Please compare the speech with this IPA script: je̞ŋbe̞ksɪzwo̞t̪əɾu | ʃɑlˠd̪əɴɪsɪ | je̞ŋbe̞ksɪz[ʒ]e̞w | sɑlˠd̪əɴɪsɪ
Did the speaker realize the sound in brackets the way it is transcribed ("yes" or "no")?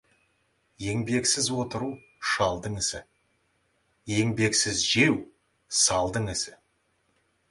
yes